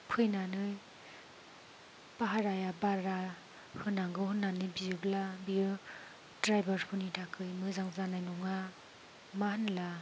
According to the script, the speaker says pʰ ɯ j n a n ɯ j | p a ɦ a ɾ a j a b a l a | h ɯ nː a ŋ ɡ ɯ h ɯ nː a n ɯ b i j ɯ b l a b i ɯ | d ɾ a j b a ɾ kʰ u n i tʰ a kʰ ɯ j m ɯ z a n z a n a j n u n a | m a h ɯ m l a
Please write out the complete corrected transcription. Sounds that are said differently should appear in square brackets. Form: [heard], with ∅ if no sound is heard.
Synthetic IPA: pʰ ɯ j n a n ɯ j | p a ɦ a ɾ a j a b a [ɾ] a | h ɯ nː a ŋ ɡ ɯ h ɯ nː a n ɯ b i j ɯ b l a b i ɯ | d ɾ a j b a ɾ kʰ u n i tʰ a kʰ ɯ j m ɯ z a [ŋ] z a n a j n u [ŋ] a | m a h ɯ [n] l a